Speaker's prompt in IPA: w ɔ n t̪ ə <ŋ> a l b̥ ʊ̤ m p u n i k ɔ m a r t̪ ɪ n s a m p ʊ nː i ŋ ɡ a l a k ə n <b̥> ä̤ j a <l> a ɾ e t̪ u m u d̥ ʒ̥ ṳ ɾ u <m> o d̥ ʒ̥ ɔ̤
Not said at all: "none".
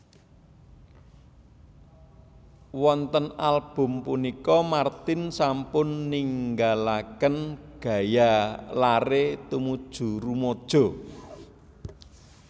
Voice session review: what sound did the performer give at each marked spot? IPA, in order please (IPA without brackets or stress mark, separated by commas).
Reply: n, ɡ̥, l, m